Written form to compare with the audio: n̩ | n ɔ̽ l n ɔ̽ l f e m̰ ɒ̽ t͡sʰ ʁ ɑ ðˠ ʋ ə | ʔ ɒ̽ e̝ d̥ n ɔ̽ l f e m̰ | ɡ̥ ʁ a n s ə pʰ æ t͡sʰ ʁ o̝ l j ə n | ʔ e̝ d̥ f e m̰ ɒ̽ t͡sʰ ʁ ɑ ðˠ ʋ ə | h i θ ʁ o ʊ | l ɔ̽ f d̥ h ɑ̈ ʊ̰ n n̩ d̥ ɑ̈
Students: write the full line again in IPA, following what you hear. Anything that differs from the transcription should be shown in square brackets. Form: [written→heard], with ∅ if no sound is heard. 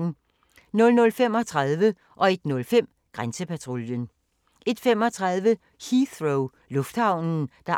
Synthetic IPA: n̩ | n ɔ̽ l n ɔ̽ l f e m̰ ɒ̽ t͡sʰ ʁ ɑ ðˠ ʋ ə | ʔ ɒ̽ e̝ d̥ n ɔ̽ l f e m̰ | ɡ̥ ʁ a n s ə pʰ æ t͡sʰ ʁ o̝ l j ə n | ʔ e̝ d̥ f e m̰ ɒ̽ t͡sʰ ʁ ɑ ðˠ ʋ ə | h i θ ʁ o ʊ | l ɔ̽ f d̥ h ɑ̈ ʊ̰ n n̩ d̥ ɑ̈

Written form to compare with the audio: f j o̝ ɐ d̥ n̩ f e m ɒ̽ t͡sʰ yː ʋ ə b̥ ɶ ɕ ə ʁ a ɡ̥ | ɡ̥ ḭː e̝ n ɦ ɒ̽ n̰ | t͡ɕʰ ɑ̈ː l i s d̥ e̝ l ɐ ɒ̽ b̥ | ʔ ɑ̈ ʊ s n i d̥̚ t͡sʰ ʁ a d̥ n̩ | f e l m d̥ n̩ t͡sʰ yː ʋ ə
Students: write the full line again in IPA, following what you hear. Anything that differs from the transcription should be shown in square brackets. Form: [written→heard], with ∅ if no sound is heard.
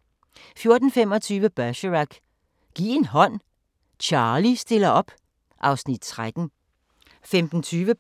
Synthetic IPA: f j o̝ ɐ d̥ n̩ f e m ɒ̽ t͡sʰ yː ʋ ə b̥ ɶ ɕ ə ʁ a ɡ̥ | ɡ̥ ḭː e̝ n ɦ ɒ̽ n̰ | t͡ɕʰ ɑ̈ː l i s d̥ e̝ l ɐ ɒ̽ b̥ | ʔ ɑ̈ ʊ s n i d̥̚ t͡sʰ ʁ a d̥ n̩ | f e [l→∅] m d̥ n̩ t͡sʰ yː ʋ ə

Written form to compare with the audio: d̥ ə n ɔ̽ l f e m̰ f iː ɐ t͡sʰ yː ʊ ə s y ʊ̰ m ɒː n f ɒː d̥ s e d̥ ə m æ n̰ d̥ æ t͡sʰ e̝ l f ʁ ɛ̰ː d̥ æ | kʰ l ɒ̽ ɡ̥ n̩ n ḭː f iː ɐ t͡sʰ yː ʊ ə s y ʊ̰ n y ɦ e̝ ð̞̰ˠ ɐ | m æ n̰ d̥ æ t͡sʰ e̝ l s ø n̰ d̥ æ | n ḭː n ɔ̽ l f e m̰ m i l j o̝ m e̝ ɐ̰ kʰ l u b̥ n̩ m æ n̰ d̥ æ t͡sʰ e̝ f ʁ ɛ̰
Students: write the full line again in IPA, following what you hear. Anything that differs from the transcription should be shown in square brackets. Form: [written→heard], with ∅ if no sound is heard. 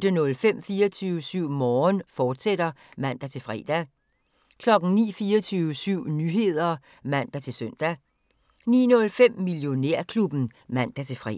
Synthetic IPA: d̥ ə n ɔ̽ l f e m̰ f iː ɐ t͡sʰ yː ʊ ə s y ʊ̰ m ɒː n f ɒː d̥ s e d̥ [ə→ɐ] m æ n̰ d̥ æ t͡sʰ e̝ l f ʁ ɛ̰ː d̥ æ | kʰ l ɒ̽ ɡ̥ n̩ n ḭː f iː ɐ t͡sʰ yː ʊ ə s y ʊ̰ n y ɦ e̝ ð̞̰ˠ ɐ | m æ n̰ d̥ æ t͡sʰ e̝ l s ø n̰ d̥ æ | n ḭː n ɔ̽ l f e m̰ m i l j o̝ [m→n] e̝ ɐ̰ kʰ l u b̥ n̩ m æ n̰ d̥ æ t͡sʰ e̝ f ʁ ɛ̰

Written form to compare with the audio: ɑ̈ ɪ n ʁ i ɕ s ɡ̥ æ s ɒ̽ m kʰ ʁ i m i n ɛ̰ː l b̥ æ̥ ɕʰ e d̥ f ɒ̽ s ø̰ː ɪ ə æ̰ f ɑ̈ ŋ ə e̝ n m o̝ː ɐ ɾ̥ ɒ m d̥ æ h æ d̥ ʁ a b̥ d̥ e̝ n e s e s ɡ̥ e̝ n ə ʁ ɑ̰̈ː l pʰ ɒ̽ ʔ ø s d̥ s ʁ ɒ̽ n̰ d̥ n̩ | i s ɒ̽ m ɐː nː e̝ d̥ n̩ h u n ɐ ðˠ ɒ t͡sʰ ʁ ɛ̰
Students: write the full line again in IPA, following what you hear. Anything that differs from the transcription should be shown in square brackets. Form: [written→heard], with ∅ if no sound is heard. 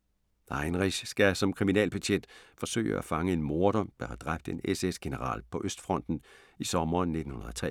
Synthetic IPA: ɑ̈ ɪ n ʁ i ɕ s ɡ̥ æ s ɒ̽ m kʰ ʁ i m i n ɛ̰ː l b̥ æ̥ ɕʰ e d̥ f ɒ̽ s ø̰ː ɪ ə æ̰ f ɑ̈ ŋ ə e̝ n m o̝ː ɐ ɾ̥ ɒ m d̥ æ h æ d̥ ʁ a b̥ d̥ e̝ n e s e s ɡ̥ e̝ n ə ʁ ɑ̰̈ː l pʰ ɒ̽ ʔ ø s d̥ [s→f] ʁ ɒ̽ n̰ d̥ n̩ | i s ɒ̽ m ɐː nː e̝ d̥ n̩ h u n ɐ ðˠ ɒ t͡sʰ ʁ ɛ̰

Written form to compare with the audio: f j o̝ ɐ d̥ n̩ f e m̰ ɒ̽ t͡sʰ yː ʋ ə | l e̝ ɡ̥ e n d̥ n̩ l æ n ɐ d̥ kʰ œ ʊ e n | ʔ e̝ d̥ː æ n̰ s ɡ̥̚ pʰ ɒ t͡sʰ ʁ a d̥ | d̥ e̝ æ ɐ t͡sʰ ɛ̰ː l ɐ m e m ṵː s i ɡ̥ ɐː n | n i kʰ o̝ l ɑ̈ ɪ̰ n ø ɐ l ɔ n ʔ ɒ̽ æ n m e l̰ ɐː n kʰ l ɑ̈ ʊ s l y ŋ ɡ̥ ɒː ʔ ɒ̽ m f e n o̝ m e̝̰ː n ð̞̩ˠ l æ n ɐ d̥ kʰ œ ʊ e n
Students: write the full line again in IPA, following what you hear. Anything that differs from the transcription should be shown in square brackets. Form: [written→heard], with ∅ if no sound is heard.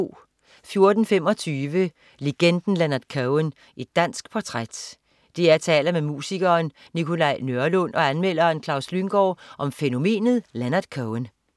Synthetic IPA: f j o̝ ɐ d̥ n̩ f e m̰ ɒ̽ t͡sʰ yː ʋ ə | l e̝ ɡ̥ e n d̥ n̩ l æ n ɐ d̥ kʰ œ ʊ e n | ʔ e̝ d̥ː æ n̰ s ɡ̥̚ pʰ ɒ t͡sʰ ʁ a d̥ | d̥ e̝ æ ɐ t͡sʰ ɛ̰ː l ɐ m e m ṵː s i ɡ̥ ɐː n | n i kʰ o̝ l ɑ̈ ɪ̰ n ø ɐ l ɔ n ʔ ɒ̽ æ n m e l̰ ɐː n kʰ l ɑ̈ ʊ s l y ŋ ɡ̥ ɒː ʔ ɒ̽ m f e n o̝ m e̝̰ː n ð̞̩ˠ l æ n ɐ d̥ kʰ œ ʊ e n

